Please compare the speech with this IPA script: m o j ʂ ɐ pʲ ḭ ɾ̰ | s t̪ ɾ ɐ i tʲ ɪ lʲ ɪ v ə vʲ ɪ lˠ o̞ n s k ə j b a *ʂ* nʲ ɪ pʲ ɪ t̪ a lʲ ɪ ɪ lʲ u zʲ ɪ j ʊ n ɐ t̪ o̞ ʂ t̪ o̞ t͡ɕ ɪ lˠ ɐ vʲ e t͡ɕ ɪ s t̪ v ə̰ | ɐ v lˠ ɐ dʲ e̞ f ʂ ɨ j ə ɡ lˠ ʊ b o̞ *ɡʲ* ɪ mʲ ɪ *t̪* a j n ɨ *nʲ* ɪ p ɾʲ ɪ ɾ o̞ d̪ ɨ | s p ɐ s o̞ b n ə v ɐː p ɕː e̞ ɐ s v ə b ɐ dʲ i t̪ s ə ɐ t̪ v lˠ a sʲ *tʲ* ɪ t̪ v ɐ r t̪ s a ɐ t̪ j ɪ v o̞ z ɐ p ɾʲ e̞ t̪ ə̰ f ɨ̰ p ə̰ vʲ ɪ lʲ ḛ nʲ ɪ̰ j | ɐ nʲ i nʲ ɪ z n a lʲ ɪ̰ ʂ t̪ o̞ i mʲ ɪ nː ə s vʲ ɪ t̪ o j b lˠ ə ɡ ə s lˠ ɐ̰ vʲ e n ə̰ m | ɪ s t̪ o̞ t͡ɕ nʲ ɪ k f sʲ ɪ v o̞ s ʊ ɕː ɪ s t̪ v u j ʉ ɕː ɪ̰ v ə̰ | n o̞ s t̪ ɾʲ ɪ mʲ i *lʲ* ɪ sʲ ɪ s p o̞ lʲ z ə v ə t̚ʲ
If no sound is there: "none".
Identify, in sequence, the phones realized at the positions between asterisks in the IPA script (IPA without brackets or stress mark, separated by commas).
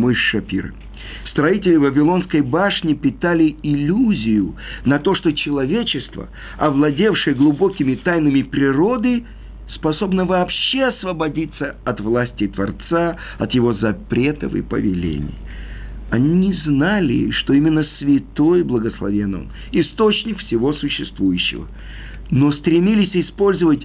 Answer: ʂ, kʲ, t̪, mʲ, tʲ, lʲ